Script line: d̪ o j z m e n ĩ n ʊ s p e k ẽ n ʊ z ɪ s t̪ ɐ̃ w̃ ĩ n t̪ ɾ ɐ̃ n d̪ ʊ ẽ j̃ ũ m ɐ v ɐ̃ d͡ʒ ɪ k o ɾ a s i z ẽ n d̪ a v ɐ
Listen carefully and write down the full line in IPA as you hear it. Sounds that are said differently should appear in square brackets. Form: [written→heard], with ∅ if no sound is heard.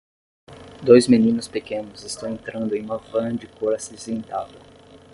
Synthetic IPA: d̪ o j z m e n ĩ n ʊ s p e k ẽ n ʊ z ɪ s t̪ ɐ̃ w̃ [ĩ→ẽ] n t̪ ɾ ɐ̃ n d̪ ʊ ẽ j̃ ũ m ɐ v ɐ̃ d͡ʒ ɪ k o ɾ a s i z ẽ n [d̪→t̪] a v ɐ